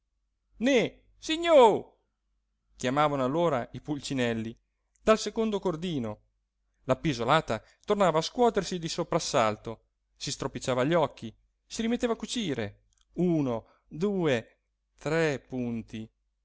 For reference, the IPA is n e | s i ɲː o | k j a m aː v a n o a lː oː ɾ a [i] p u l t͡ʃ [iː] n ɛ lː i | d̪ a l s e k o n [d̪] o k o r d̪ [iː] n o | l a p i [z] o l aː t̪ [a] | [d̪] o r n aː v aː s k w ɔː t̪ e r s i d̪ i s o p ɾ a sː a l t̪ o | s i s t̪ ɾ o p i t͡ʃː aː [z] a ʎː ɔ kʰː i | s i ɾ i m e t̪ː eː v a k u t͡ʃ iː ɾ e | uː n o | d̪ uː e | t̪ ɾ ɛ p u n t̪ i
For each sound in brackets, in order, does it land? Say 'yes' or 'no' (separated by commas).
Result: yes, no, yes, yes, yes, yes, no, no